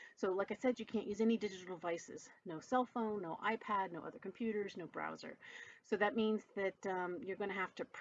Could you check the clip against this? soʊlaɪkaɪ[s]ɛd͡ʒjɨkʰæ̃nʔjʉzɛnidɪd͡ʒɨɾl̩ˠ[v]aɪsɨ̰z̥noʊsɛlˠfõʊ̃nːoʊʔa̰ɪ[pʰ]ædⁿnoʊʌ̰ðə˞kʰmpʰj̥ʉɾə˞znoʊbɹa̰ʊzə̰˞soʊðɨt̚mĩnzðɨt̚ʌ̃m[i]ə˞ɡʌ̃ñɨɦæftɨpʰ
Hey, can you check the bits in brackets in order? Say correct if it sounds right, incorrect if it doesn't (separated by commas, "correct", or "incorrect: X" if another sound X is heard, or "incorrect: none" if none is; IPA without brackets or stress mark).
correct, correct, correct, incorrect: j